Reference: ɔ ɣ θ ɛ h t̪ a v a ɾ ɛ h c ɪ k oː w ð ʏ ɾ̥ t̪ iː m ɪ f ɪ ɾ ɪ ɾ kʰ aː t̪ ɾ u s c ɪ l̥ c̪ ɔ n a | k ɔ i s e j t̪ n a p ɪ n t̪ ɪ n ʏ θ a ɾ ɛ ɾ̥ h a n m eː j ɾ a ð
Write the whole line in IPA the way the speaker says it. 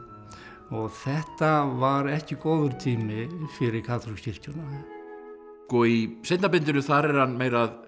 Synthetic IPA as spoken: ɔ ɣ θ ɛ h t̪ a v a ɾ ɛ h c ɪ k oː w ð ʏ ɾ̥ t̪ʰ iː m ɪ f ɪ ɾ ɪ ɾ kʰ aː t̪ ɾ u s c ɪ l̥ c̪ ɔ n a | k ɔ i s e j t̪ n a p ɪ n t̪ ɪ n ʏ θ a ɾ ɛ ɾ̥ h a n m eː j ɾ a ð